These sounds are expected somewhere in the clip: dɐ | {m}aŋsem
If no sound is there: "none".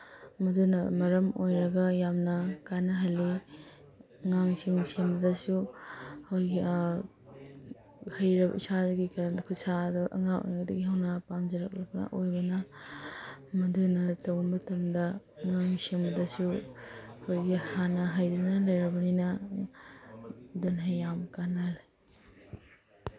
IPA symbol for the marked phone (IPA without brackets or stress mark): ŋ